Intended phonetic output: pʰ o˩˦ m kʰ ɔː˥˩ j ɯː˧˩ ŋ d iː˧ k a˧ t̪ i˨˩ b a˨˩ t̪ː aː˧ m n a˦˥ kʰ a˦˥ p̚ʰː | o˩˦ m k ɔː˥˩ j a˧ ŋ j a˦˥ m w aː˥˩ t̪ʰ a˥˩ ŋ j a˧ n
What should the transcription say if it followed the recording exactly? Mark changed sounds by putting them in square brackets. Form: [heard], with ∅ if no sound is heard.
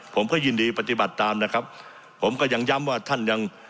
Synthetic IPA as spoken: pʰ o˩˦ m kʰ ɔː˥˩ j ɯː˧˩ [n] d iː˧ [p] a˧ t̪ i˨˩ b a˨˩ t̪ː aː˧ m n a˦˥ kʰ a˦˥ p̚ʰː | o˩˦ m k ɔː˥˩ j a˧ ŋ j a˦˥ m w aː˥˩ t̪ʰ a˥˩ [n] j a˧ [ŋ]